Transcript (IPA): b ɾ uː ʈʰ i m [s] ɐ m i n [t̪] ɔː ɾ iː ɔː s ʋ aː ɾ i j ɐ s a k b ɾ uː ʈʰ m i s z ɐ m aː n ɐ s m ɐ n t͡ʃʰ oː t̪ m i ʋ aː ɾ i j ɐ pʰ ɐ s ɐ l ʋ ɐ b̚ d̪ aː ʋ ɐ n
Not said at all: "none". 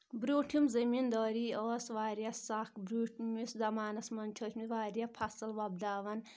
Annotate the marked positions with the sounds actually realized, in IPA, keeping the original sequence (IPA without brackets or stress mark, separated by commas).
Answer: z, d̪